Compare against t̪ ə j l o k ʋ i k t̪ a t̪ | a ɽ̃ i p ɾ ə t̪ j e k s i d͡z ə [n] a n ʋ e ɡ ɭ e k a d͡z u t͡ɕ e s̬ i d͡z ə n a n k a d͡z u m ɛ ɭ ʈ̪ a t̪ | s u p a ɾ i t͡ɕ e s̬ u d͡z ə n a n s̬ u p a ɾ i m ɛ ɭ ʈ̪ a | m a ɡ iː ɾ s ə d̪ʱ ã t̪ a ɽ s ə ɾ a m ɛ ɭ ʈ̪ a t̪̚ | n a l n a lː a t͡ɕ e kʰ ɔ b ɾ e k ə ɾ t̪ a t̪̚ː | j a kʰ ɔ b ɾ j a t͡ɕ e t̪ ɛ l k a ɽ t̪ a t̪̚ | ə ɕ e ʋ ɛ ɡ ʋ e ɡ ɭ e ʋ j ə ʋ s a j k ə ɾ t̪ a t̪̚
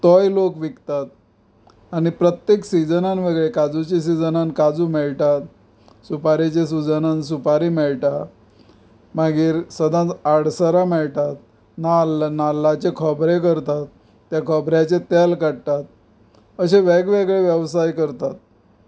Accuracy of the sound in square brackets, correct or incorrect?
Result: correct